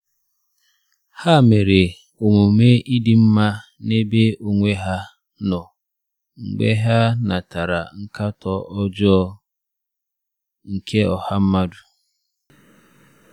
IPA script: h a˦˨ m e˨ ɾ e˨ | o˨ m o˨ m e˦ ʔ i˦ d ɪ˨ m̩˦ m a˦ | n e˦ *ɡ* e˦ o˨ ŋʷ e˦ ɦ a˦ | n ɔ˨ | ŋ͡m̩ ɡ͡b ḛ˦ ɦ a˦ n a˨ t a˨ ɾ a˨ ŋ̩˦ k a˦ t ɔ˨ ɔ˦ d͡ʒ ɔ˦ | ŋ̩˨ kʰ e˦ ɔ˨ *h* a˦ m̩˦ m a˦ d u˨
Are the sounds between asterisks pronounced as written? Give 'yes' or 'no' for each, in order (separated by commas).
no, yes